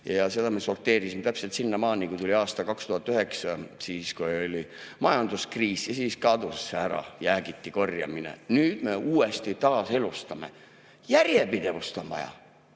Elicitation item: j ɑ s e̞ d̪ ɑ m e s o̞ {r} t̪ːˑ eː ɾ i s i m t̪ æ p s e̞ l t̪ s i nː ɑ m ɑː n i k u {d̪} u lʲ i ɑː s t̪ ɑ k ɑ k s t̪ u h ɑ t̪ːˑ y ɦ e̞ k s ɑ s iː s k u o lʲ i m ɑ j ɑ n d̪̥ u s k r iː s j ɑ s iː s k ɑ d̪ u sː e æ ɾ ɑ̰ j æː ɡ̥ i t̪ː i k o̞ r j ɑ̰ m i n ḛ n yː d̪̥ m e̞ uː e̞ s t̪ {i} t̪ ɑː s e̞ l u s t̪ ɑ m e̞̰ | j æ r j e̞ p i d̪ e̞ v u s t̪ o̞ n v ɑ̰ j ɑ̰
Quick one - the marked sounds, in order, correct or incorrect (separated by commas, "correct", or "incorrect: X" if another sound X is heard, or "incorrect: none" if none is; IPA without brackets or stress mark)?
correct, incorrect: t̪, correct